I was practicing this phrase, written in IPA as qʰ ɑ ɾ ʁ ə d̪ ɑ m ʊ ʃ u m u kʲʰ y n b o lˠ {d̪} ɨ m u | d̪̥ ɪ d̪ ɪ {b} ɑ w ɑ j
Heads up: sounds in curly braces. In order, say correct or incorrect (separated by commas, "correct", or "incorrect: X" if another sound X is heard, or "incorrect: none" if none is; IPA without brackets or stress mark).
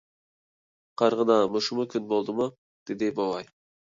correct, correct